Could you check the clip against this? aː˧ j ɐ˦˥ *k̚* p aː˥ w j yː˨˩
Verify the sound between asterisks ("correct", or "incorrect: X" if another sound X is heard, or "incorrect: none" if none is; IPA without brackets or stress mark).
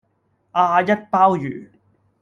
incorrect: t̚